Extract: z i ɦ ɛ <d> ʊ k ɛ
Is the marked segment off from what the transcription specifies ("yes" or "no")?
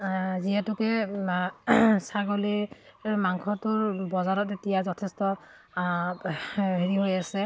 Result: yes